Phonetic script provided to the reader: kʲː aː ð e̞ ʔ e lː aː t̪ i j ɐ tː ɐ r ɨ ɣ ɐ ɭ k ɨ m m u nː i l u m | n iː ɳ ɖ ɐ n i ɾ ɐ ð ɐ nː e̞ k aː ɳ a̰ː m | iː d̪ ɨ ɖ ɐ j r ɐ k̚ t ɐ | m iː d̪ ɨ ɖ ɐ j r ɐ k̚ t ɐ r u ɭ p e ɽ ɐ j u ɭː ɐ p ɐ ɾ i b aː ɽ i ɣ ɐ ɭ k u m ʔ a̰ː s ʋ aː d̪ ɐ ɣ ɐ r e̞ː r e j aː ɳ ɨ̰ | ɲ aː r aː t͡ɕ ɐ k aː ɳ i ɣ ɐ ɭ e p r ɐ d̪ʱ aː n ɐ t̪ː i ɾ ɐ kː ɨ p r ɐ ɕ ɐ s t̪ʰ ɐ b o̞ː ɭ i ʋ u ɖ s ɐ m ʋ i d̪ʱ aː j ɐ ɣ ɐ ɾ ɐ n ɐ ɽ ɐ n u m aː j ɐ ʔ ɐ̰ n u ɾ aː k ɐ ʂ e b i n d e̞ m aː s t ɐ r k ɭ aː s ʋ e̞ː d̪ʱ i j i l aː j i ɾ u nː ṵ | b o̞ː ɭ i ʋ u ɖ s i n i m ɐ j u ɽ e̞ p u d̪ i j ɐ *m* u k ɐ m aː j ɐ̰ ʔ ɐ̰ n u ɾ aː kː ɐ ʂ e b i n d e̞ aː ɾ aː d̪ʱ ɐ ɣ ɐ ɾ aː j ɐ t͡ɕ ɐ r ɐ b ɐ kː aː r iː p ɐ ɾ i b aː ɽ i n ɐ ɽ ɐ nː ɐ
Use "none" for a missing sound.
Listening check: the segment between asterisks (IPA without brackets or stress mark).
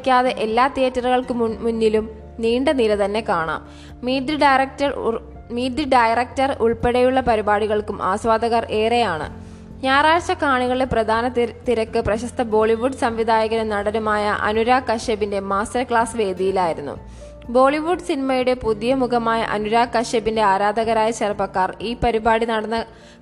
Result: m